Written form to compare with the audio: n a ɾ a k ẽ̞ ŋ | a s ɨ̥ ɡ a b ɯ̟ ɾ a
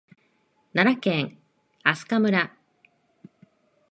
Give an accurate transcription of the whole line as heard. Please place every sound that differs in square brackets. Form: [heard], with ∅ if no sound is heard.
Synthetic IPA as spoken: n a ɾ a k ẽ̞ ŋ | a s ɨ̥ [k] a [m] ɯ̟ ɾ a